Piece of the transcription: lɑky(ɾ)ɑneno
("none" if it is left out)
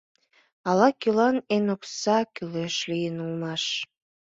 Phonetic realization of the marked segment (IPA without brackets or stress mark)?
l